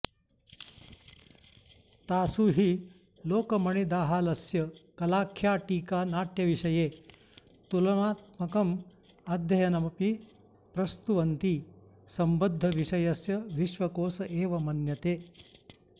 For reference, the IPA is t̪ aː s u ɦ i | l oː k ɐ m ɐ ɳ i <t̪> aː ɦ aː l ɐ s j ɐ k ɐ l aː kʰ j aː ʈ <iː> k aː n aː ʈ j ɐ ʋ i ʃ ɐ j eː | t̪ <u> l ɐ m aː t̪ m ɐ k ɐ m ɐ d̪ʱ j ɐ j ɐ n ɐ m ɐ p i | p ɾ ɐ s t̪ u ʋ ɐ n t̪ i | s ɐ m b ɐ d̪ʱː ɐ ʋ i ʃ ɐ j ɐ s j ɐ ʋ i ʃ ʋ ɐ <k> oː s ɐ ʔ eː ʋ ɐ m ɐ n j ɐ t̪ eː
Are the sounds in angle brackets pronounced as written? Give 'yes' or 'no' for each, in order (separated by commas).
no, yes, yes, yes